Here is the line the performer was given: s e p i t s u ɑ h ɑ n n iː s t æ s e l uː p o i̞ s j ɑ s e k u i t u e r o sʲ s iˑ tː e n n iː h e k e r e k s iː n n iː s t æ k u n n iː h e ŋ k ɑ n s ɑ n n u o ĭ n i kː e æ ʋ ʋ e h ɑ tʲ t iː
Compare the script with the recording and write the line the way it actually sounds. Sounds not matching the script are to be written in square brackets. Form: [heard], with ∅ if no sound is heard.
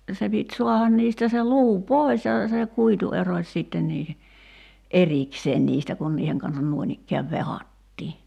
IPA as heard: s e p i t s u ɑ h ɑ n n iː s t æ s e l uː p o i̞ s j ɑ s e k u i t u e r o sʲ s iˑ tː e n n iː h e [ʔ] e r [i] k s [eː] n n iː s t æ k u n n iː h e ŋ k ɑ n s ɑ n n u o ĭ n i kː e æ ʋ ʋ e h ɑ tʲ t iː